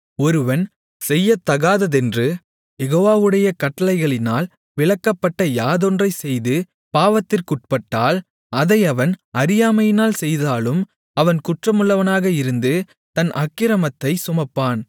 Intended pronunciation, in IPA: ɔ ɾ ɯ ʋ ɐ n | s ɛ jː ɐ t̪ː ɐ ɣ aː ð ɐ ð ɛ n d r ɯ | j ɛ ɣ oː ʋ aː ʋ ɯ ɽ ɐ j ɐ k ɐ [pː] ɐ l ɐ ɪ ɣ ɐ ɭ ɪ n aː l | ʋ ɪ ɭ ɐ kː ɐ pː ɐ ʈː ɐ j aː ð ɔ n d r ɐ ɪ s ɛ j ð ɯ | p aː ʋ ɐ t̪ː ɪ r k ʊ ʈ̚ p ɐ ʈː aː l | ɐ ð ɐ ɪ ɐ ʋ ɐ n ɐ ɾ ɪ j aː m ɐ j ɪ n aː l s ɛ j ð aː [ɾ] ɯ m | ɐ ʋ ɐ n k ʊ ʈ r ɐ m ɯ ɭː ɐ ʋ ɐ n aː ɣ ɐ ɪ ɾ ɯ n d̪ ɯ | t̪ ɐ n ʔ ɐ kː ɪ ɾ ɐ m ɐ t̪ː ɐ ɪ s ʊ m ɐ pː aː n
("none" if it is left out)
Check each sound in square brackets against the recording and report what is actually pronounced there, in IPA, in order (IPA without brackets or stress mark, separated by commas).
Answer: ʈː, l